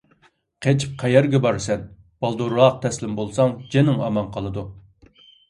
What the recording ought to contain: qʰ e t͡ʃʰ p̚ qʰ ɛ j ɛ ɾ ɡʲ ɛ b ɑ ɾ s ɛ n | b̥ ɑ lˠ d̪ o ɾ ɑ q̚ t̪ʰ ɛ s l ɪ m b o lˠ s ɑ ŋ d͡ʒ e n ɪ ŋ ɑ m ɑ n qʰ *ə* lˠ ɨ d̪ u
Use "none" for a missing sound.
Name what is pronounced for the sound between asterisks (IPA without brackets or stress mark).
ɑ